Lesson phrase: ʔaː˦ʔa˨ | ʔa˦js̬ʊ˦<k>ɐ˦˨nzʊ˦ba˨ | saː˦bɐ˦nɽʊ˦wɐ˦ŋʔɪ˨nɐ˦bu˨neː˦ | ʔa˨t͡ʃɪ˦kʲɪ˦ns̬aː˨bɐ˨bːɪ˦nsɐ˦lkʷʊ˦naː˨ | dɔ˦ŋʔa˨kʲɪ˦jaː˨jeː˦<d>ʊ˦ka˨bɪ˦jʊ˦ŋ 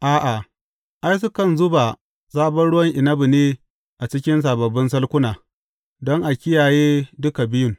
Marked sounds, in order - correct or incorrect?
correct, correct

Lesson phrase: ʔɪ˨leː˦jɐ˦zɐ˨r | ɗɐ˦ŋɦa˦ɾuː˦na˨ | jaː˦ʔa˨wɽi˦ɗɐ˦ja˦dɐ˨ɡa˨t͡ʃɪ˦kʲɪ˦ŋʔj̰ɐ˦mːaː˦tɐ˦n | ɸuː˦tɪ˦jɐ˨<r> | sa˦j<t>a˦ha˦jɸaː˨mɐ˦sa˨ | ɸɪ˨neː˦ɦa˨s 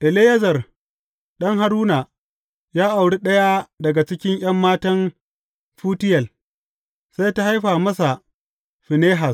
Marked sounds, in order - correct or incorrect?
incorrect: l, correct

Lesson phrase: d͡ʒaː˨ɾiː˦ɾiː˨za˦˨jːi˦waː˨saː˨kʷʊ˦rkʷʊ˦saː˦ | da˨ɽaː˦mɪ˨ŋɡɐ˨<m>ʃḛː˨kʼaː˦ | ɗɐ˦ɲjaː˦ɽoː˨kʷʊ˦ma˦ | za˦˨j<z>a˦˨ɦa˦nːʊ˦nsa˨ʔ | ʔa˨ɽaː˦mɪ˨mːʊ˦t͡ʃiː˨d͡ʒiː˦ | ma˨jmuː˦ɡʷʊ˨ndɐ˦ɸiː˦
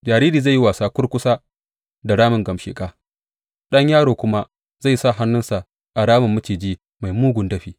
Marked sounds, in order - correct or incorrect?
correct, incorrect: s

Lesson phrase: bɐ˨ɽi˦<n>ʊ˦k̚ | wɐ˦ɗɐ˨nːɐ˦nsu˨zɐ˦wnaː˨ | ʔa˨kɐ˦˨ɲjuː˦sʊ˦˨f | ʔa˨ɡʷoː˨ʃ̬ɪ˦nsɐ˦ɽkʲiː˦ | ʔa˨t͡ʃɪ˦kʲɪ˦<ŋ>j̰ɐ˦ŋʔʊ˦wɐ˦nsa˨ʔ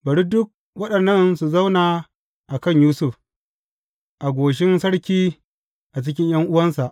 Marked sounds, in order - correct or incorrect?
incorrect: d, incorrect: ɲ

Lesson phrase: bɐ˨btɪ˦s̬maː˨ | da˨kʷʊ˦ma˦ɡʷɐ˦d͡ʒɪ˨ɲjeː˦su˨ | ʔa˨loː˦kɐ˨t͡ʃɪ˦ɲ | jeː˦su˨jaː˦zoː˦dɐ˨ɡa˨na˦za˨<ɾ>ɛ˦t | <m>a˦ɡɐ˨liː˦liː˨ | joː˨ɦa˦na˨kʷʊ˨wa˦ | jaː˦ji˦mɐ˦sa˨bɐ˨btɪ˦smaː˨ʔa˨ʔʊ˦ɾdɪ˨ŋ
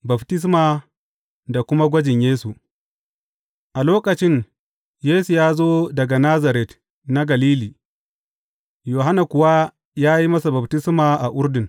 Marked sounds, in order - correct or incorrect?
correct, incorrect: n

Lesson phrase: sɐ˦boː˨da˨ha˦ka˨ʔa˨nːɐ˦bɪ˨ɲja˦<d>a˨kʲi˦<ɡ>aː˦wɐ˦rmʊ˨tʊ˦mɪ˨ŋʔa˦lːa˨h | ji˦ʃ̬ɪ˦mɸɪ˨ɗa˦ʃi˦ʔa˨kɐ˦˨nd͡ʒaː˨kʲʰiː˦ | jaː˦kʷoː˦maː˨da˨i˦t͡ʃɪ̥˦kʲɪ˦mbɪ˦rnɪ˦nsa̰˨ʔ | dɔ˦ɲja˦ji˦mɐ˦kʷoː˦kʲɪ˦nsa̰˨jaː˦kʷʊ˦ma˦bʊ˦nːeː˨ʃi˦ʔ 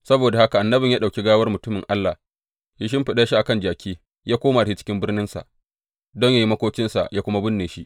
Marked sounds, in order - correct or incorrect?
incorrect: ɗ, correct

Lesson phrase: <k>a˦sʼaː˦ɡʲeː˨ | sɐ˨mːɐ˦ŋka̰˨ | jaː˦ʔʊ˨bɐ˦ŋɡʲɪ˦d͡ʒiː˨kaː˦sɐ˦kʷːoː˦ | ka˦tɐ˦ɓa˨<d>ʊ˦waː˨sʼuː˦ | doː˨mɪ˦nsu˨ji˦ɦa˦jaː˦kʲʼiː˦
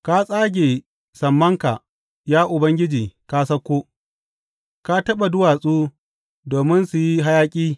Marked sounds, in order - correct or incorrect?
correct, correct

